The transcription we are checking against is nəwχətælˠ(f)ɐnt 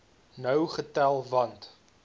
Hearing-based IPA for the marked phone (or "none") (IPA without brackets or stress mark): v